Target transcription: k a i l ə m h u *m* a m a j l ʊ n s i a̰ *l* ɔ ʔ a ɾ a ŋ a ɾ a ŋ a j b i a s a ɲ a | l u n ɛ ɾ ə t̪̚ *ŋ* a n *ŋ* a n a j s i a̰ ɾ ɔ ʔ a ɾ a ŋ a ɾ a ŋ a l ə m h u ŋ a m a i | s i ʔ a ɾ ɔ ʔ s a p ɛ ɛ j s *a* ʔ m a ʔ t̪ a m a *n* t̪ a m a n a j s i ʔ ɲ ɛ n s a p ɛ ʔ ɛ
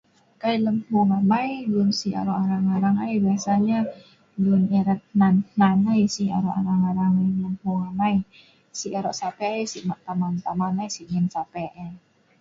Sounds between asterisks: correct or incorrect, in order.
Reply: incorrect: ŋ, incorrect: ɾ, incorrect: n, incorrect: n, incorrect: i, correct

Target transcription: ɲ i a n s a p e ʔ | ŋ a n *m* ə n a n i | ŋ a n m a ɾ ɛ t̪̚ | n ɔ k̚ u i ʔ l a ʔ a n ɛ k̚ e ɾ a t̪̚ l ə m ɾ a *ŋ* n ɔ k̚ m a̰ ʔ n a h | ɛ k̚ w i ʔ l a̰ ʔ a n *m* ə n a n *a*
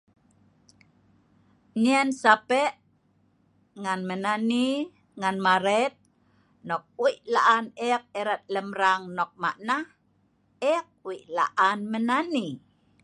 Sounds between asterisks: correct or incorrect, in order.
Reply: correct, correct, correct, incorrect: i

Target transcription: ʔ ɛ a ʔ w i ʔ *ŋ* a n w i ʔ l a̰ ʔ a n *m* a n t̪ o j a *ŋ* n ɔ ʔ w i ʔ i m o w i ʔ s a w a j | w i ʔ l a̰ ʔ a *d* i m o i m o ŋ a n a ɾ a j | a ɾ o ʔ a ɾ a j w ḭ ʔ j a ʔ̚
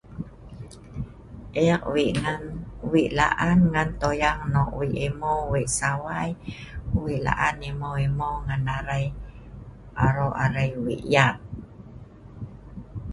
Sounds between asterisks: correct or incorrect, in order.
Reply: correct, incorrect: ŋ, correct, incorrect: n

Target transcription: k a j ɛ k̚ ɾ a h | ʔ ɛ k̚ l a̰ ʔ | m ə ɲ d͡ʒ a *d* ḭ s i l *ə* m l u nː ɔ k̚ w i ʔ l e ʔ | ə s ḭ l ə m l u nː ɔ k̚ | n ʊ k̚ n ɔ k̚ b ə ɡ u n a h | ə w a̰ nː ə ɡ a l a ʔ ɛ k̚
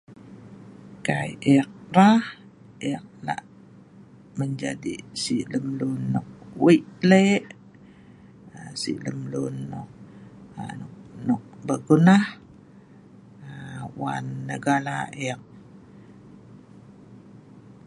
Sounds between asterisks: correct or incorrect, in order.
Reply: correct, correct

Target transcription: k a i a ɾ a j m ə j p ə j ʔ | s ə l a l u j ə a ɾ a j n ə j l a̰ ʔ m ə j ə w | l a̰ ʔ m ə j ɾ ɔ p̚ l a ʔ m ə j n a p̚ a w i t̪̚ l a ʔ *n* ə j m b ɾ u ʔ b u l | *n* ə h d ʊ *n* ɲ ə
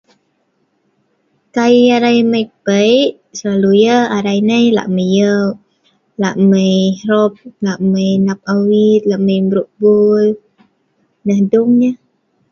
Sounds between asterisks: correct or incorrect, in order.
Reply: incorrect: m, correct, incorrect: ŋ

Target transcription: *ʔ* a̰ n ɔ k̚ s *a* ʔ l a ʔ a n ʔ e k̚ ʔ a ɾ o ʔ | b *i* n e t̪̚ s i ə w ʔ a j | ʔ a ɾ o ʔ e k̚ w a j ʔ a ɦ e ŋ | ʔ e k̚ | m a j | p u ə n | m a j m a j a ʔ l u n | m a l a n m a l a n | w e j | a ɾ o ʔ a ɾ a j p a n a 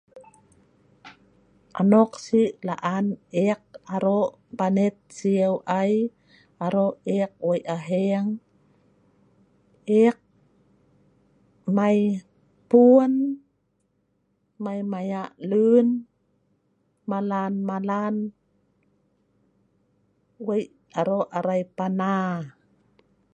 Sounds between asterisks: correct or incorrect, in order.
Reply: correct, incorrect: i, incorrect: a

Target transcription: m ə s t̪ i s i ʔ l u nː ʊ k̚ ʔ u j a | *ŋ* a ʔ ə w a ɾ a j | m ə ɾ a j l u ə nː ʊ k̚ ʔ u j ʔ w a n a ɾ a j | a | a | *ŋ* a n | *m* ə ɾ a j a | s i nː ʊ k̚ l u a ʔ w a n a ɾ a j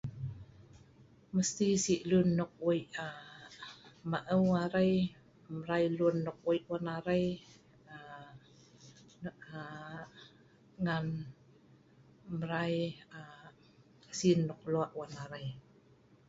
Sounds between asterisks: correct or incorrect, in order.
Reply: incorrect: m, correct, correct

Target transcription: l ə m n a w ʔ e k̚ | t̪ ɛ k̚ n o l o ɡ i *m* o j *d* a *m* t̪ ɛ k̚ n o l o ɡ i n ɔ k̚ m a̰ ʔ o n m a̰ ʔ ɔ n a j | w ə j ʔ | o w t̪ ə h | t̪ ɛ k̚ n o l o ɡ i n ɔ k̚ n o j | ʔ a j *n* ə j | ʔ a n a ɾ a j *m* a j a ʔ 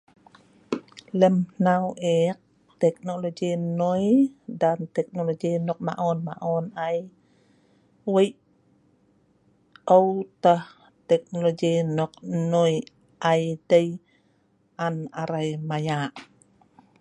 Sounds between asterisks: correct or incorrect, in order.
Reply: incorrect: n, correct, incorrect: n, incorrect: d, correct

